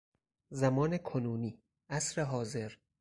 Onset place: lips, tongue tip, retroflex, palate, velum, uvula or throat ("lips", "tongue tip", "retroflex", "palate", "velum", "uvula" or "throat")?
tongue tip